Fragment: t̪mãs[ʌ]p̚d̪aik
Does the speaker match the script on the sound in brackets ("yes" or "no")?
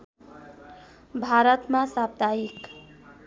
no